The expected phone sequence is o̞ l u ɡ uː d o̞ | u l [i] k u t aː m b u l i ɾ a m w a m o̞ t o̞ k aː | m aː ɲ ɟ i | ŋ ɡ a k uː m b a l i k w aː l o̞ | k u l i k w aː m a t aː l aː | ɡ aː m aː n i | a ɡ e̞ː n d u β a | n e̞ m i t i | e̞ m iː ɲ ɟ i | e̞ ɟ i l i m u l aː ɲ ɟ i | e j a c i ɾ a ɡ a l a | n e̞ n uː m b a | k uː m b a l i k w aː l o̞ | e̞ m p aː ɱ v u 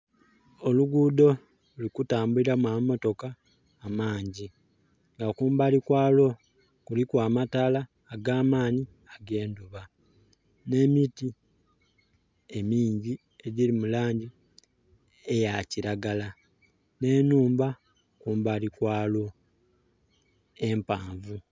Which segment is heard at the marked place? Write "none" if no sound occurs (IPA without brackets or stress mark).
i